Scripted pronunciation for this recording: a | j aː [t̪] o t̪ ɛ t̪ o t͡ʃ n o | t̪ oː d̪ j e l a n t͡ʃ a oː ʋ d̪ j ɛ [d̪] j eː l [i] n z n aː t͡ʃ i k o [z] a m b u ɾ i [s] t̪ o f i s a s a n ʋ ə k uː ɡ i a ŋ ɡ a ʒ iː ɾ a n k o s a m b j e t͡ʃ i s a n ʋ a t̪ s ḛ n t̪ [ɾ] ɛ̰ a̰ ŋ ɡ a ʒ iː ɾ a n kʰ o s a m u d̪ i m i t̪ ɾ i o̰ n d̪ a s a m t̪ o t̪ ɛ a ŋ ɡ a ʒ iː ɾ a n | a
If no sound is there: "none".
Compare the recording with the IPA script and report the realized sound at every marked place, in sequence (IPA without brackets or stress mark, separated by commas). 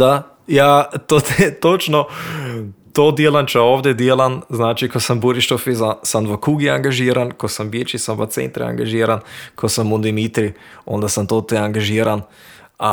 t̪, d̪, a, s, ʃ, ɾ